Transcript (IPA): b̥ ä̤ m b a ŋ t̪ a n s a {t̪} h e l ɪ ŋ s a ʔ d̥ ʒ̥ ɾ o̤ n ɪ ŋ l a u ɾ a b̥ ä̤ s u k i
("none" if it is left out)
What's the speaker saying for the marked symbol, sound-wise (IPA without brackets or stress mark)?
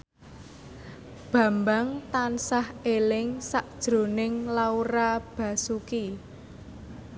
none